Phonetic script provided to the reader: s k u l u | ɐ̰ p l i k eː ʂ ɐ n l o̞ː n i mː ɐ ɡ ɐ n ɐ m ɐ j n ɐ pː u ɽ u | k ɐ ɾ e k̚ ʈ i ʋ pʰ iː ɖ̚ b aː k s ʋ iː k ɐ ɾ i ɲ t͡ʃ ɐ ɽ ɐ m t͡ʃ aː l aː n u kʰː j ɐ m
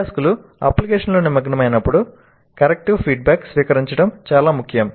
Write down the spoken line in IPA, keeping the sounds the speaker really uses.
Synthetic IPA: s k u l u | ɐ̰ p l i k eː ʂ ɐ n l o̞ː n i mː ɐ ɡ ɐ n ɐ m ɐ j n ɐ pː u ɽ u | k ɐ ɾ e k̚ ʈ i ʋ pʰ iː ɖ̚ b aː k s ʋ iː k ɐ ɾ i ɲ t͡ʃ ɐ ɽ ɐ m t͡ʃ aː l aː m u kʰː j ɐ m

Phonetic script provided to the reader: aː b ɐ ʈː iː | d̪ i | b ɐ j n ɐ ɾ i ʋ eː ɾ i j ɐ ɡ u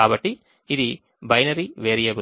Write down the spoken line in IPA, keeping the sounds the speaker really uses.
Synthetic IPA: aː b ɐ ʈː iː | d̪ i | b ɐ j n ɐ ɾ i ʋ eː ɾ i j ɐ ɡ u

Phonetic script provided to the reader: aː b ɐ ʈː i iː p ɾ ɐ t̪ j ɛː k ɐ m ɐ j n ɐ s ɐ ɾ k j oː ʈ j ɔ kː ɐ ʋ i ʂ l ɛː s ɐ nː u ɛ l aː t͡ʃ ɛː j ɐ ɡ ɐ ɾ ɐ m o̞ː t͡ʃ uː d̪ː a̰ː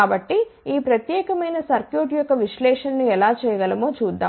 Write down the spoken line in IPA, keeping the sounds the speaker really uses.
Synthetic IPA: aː b ɐ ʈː i iː p ɾ ɐ t̪ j ɛː k ɐ m ɐ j n ɐ s ɐ ɾ k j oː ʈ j ɔ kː ɐ ʋ i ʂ l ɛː ʂ ɐ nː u ɛ l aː t͡ʃ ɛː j ɐ ɡ ɐ l ɐ m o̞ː t͡ʃ uː d̪ː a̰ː

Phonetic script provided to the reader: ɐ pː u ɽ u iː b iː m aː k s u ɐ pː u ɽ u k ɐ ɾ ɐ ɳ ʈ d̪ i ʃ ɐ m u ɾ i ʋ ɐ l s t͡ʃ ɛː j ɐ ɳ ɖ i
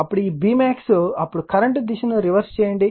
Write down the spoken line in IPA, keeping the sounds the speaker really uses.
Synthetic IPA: ɐ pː u ɽ u iː b iː m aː k s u ɐ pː u ɽ u k ɐ ɾ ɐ ɳ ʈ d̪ i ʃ ɐ n u ɾ i ʋ ɐ ɾ s t͡ʃ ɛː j ɐ ɳ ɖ i

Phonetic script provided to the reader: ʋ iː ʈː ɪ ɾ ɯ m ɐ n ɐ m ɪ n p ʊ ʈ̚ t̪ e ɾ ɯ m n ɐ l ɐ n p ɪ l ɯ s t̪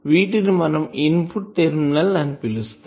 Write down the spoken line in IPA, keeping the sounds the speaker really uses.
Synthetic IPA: ʋ iː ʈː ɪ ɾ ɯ m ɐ n ɐ m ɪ n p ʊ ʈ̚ t̪ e ɾ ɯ m n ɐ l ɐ n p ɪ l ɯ s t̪

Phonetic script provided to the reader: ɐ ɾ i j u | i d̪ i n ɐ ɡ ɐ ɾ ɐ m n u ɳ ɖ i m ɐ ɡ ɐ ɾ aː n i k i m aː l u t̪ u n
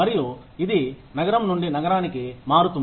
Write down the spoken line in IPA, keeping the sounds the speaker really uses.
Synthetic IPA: ɐ ɾ i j u | i d̪ i n ɐ ɡ ɐ ɾ ɐ m n u ɳ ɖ i n ɐ ɡ ɐ ɾ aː n i k i m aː ɾ u t̪ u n

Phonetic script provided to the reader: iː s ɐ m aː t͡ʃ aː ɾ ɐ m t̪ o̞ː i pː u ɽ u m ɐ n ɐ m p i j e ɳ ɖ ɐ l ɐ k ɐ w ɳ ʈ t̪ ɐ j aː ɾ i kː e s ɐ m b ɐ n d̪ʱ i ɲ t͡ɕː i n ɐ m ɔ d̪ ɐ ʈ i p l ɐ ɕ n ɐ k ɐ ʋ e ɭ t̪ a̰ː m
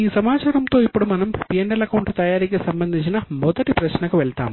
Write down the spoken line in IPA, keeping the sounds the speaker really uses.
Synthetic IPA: iː s ɐ m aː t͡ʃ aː ɾ ɐ m t̪ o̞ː i pː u ɽ u m ɐ n ɐ m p i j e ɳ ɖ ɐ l ɐ k ɐ w ɳ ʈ t̪ ɐ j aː ɾ i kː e s ɐ m b ɐ n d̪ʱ i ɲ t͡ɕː i n ɐ m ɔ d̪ ɐ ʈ i p ɾ ɐ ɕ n ɐ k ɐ ʋ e ɭ t̪ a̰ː m

